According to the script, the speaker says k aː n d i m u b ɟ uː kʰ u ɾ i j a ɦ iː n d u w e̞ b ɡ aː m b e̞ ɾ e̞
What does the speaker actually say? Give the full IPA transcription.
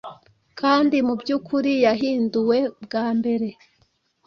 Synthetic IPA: k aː n d i m u b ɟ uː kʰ u ɾ i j a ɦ iː n d u w e̞ b ɡ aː m b e̞ ɾ e̞